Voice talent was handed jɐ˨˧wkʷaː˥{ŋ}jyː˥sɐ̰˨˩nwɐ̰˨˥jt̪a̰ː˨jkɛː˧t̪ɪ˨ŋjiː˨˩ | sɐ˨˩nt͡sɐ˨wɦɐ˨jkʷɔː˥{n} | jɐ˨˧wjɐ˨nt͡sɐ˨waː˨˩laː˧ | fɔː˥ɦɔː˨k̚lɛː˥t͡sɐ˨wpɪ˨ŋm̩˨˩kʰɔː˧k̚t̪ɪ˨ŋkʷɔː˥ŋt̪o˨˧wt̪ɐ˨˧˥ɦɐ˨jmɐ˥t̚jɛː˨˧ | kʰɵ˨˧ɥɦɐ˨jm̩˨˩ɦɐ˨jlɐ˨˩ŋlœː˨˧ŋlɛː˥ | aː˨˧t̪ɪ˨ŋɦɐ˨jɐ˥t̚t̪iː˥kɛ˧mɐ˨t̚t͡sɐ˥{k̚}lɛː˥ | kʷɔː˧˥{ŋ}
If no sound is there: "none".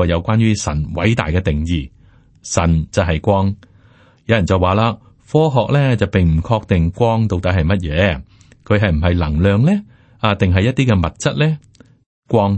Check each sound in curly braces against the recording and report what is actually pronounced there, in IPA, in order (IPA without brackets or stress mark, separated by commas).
n, ŋ, t̚, ŋ